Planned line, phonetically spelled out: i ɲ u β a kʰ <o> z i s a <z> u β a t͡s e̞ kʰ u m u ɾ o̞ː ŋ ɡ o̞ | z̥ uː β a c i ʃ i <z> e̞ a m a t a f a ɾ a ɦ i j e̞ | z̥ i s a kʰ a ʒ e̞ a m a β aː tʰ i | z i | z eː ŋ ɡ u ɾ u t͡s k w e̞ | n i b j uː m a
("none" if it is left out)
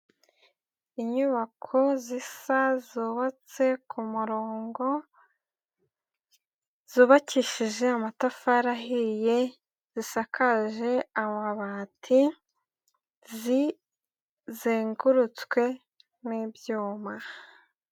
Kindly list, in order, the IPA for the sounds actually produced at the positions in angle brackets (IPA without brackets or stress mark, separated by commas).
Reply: o, z, ʒ